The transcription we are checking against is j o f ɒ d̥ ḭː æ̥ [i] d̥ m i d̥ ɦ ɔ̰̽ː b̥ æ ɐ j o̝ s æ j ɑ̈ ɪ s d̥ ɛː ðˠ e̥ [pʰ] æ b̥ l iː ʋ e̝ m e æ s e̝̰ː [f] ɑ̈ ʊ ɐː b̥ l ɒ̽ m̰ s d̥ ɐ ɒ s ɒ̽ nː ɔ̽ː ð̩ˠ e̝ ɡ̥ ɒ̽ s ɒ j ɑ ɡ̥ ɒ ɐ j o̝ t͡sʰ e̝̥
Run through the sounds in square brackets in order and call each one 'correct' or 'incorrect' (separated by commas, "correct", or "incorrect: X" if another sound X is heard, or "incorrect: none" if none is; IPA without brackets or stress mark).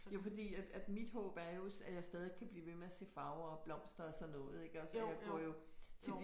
incorrect: æ, incorrect: kʰ, correct